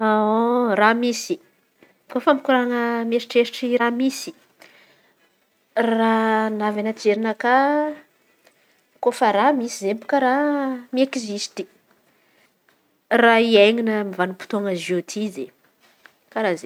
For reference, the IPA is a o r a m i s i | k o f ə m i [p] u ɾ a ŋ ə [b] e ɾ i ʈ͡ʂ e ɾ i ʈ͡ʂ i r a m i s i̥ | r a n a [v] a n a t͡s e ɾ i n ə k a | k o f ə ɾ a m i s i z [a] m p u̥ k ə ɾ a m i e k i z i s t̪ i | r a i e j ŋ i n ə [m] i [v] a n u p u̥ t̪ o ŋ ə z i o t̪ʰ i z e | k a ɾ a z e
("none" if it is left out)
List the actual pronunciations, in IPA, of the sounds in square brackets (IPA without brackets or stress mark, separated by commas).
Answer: k, m, v, e, m, v